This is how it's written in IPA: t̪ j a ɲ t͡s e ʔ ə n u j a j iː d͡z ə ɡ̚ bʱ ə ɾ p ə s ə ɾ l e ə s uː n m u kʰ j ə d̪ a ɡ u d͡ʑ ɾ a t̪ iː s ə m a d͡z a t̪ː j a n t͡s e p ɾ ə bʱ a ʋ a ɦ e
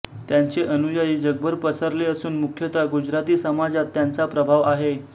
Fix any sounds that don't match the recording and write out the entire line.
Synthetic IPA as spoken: t̪ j a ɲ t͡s e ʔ ə n u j a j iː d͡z ə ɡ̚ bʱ ə ɾ p ə s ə ɾ l e ə s uː n m u kʰ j ə t̪ a ɡ u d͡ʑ ɾ a t̪ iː s ə m a d͡z a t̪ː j a n t͡s a p ɾ ə bʱ a ʋ a ɦ e